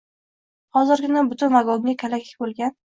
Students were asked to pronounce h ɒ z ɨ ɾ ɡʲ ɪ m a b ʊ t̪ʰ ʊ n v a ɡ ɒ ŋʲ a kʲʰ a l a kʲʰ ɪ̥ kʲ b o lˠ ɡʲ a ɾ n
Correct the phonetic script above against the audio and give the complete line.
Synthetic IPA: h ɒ z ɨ ɾ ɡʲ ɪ n a b ʊ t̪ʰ ʊ n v a ɡ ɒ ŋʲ a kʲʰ a l a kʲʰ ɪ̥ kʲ b o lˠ ɡʲ a n